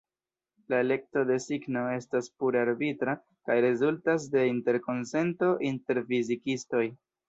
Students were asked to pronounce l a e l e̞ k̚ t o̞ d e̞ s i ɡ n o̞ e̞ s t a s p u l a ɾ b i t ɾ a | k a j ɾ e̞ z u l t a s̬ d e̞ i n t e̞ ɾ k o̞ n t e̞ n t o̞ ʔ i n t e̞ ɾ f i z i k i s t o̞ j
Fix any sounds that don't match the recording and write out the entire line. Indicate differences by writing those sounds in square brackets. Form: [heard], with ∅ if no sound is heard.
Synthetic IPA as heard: l a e l e̞ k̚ t o̞ d e̞ s i ɡ n o̞ e̞ s t a s p u [ɾ] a ɾ b i t ɾ a | k a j ɾ e̞ z u l t a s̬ d e̞ i n t e̞ ɾ k o̞ n [s] e̞ n t o̞ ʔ i n t e̞ ɾ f i z i k i s t o̞ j